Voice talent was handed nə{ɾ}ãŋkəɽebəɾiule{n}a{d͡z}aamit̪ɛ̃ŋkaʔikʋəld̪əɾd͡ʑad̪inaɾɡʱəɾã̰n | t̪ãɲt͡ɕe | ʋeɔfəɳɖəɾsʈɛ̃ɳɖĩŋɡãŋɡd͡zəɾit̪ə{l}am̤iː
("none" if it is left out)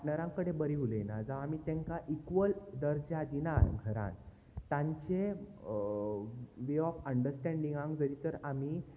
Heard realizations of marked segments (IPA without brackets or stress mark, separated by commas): ɾ, n, d͡z, ɾ